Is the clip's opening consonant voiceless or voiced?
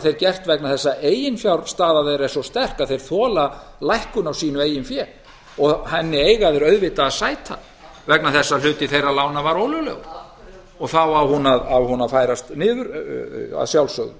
voiceless